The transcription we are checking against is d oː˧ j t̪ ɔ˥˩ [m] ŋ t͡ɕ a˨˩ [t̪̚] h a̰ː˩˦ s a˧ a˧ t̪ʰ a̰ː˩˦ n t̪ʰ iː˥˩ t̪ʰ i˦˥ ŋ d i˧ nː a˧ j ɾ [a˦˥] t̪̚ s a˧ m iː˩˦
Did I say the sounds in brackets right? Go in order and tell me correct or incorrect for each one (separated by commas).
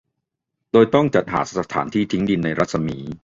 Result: incorrect, correct, correct